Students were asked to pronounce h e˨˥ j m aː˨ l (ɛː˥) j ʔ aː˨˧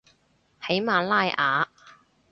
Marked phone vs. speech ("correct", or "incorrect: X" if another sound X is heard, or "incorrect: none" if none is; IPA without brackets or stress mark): incorrect: aː˥